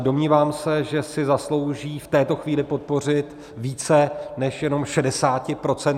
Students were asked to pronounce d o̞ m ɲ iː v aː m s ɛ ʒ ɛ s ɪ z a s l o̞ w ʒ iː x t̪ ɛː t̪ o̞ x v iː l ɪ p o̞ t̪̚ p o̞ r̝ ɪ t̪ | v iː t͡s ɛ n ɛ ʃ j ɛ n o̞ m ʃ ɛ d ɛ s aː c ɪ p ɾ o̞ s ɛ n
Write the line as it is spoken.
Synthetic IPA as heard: d o̞ m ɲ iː v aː m s ɛ ʒ ɛ s ɪ z a s l o̞ w ʒ iː f t̪ ɛː t̪ o̞ x v iː l ɪ p o̞ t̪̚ p o̞ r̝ ɪ t̪ | v iː t͡s ɛ n ɛ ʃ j ɛ n o̞ m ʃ ɛ d ɛ s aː c ɪ p ɾ o̞ t͡s ɛ n